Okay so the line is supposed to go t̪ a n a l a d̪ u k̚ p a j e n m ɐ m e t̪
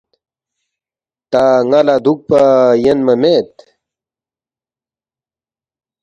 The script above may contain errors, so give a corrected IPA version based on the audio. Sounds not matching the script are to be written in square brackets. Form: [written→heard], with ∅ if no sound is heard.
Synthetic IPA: t̪ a [n→ŋ] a l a d̪ u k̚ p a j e n m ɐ m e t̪